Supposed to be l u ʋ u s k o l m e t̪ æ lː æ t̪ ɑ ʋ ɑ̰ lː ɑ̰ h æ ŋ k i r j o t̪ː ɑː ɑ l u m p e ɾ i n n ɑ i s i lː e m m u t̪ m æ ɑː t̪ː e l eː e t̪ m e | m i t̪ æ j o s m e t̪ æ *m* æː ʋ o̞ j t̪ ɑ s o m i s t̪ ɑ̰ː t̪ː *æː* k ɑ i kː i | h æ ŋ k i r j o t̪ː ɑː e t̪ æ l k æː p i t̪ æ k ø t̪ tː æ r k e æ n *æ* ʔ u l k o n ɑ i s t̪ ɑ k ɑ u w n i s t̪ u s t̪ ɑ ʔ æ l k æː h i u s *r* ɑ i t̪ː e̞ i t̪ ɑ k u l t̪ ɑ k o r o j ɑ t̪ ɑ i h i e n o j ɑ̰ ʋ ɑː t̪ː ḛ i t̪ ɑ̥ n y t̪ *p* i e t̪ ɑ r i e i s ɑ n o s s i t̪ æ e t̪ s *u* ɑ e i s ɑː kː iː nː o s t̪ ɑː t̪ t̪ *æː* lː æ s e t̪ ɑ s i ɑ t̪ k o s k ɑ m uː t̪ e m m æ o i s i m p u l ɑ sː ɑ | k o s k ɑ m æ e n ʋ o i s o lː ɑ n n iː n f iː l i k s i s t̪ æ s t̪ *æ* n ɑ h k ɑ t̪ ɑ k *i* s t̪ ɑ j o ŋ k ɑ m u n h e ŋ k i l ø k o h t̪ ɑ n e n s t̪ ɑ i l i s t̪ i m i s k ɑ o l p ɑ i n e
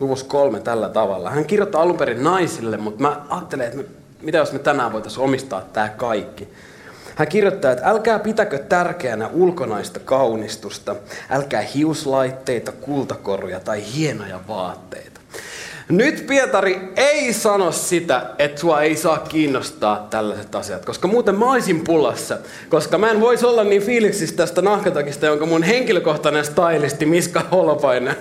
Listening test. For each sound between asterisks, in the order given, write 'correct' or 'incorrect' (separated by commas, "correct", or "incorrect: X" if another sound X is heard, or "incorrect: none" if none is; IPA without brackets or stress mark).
incorrect: n, correct, correct, incorrect: l, correct, correct, incorrect: æ, correct, correct